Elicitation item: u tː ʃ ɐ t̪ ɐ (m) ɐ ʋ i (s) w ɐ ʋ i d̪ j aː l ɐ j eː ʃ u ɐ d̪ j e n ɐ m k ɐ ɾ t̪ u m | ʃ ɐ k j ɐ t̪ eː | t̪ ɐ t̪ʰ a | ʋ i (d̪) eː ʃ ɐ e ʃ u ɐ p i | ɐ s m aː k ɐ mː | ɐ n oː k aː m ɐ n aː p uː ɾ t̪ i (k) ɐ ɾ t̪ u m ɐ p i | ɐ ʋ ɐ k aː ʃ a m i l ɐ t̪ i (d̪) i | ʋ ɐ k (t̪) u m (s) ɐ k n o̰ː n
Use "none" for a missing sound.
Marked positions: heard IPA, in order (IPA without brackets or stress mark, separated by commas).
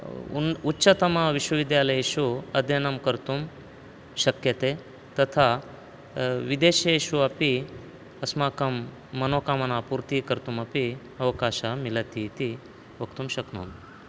m, ʃ, d̪, k, t̪, t̪, ʃ